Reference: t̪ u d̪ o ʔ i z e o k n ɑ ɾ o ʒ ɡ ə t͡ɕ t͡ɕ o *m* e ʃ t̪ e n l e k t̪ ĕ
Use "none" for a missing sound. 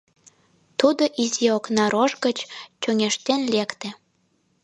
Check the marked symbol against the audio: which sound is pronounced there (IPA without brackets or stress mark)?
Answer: ŋ